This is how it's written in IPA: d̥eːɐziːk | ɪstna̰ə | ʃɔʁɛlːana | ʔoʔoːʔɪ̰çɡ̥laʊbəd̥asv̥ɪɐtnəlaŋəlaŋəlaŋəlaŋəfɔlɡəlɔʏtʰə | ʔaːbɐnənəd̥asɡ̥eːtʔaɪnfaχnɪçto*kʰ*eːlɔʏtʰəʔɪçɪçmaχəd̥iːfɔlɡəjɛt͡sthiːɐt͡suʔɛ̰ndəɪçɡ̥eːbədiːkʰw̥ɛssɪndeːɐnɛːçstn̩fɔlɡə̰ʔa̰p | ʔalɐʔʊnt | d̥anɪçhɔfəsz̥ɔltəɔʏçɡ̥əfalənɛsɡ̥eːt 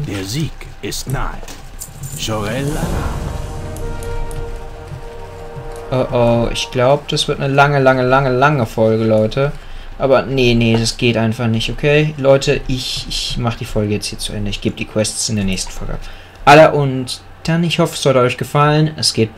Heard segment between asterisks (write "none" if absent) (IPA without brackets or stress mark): kʰ